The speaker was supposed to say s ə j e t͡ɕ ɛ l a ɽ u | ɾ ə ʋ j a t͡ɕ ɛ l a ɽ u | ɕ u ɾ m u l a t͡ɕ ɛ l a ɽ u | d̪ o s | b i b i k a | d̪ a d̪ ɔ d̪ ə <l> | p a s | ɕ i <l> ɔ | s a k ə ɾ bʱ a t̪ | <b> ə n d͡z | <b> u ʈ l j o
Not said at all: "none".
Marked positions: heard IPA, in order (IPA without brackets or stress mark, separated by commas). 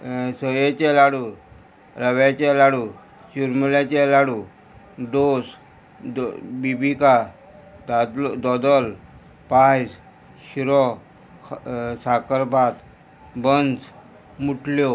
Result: l, ɾ, b, m